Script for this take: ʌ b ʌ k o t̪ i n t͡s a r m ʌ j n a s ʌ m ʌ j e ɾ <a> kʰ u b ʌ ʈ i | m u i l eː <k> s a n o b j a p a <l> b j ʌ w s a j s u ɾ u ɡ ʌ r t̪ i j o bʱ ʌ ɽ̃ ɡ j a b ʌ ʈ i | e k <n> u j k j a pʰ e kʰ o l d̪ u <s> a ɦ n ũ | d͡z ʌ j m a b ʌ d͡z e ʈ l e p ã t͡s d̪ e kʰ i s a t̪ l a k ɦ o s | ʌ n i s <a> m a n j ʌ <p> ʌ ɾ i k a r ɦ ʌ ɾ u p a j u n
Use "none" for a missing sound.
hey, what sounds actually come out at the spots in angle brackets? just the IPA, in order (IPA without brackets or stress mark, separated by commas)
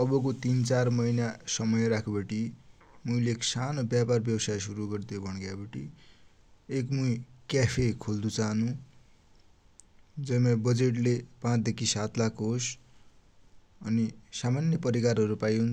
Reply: a, k, r, m, t͡s, a, p